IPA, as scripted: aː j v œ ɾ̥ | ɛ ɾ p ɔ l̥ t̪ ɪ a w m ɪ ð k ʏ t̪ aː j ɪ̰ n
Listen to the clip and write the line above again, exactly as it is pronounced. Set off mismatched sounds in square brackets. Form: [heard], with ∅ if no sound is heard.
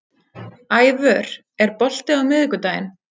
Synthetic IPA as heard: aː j v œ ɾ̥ | ɛ ɾ p ɔ l̥ t̪ ɪ a w m ɪ ð k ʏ t̪ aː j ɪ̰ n